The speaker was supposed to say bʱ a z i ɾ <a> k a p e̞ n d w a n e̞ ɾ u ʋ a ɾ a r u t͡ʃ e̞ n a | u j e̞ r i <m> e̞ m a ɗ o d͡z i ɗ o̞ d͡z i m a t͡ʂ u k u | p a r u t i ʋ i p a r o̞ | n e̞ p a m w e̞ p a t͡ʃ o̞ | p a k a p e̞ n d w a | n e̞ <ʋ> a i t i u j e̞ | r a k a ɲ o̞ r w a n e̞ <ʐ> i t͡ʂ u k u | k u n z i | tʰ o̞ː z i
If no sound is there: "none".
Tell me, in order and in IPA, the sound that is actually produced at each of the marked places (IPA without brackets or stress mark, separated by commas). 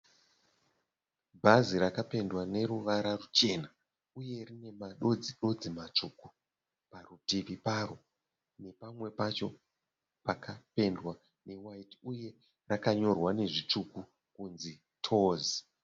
a, n, w, ʐ